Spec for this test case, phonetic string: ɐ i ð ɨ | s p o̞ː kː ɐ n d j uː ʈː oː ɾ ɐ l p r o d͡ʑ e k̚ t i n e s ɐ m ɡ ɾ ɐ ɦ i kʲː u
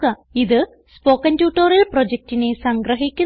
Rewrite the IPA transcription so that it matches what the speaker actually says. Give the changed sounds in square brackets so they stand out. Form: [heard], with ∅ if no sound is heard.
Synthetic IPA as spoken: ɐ i ð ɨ | s p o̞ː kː ɐ n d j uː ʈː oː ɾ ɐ l p r o d͡ʑ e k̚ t i n e s ɐ [ŋ] ɡ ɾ ɐ ɦ i kʲː u